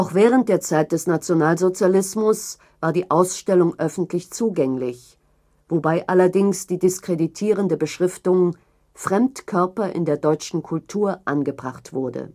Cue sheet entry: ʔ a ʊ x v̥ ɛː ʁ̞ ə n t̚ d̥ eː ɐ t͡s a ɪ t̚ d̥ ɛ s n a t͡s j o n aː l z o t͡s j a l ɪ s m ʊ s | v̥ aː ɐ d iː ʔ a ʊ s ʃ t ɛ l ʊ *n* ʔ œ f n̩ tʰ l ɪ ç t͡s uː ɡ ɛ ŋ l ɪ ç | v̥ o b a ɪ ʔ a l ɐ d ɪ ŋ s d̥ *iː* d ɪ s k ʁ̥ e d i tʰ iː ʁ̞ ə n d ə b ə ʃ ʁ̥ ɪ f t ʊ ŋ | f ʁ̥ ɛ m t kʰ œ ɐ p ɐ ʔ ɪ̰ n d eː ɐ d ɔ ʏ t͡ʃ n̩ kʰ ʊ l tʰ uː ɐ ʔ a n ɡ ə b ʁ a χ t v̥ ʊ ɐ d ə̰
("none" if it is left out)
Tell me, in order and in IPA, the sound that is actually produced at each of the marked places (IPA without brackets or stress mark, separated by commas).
ŋ, iː